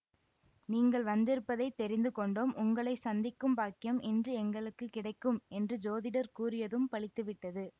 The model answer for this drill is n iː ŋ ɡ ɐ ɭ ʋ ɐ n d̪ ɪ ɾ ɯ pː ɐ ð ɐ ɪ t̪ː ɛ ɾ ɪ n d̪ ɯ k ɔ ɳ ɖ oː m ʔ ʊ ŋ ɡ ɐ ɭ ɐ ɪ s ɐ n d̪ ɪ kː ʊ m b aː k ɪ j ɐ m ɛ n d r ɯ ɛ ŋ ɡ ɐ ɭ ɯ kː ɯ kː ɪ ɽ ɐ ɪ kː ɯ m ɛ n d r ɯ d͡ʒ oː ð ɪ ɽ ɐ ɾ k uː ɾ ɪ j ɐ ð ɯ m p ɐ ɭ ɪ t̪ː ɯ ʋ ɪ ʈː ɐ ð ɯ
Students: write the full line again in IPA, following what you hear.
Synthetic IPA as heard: n iː ŋ ɡ ɐ ɭ ʋ ɐ n d̪ ɪ ɾ ɯ pː ɐ ð ɐ ɪ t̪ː ɛ ɾ ɪ n d̪ ɯ k ɔ ɳ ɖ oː m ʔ ʊ ŋ ɡ ɐ ɭ ɐ ɪ s ɐ n d̪ ɪ kː ɯ m b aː k ɪ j ɐ m ɛ n d r ɯ ɛ ŋ ɡ ɐ ɭ ɯ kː ɯ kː ɪ ɽ ɐ ɪ kː ɯ m ɛ n d r ɯ d͡ʒ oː ð ɪ ɽ ɐ ɾ k uː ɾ ɪ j ɐ ð ɯ m p ɐ ɭ ɪ t̪ː ɯ ʋ ɪ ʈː ɐ ð ɯ